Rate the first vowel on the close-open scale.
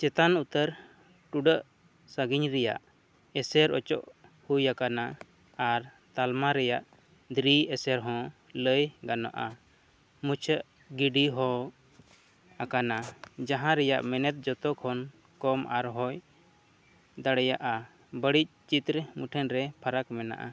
mid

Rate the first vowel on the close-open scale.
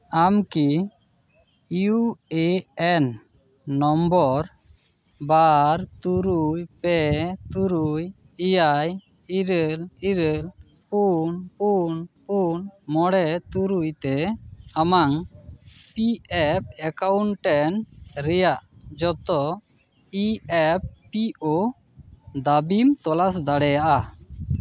open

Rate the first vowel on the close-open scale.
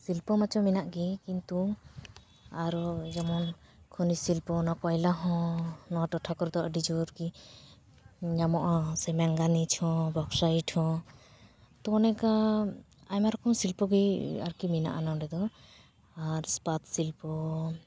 close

